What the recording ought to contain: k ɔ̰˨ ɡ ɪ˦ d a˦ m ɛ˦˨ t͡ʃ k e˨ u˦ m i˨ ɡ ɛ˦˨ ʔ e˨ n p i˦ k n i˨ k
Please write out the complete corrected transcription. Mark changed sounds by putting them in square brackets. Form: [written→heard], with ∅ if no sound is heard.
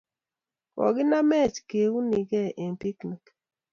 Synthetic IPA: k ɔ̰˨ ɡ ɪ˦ [d→n] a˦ m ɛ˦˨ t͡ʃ k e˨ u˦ [m→n] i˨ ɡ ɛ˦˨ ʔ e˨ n p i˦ k n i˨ k

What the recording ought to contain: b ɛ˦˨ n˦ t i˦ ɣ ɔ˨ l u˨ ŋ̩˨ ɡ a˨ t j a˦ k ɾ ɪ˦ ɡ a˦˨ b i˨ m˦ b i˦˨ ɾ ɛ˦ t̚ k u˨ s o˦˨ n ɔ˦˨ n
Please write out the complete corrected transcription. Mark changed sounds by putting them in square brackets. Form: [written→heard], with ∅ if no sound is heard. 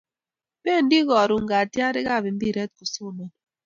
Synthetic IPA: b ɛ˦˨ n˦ [t→d] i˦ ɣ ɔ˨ [l→ɾ] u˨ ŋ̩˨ ɡ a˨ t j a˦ [k→∅] ɾ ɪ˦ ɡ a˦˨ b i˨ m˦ b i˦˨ ɾ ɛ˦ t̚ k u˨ s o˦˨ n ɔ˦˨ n

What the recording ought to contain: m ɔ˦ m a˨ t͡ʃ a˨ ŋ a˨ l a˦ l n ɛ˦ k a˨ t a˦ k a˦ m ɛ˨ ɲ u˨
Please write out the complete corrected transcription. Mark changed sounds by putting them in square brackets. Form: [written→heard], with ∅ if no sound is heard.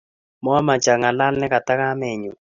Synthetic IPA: m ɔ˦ m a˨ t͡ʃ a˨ ŋ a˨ l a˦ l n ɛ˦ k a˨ t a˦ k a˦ m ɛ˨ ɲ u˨

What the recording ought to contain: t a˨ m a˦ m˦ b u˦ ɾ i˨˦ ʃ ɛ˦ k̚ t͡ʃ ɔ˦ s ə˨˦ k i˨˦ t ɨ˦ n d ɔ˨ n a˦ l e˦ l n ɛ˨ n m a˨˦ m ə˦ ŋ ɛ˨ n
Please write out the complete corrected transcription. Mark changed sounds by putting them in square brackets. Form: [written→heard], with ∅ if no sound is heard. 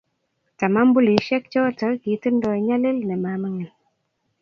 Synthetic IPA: t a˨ m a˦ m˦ b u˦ [ɾ→l] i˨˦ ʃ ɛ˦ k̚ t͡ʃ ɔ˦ [s→t] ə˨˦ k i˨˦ t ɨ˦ n d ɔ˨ [n→ɲ] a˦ l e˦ l n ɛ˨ [n→∅] m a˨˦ m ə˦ ŋ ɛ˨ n

